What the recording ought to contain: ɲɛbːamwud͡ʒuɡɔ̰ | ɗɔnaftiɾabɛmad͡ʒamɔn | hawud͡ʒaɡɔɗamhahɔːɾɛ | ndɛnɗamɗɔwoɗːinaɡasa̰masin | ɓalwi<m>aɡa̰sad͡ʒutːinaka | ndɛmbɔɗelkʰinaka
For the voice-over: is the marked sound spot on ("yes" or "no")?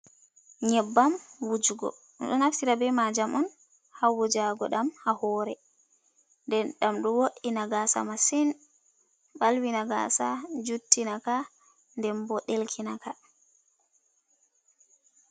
no